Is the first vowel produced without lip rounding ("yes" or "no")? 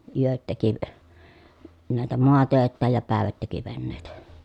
no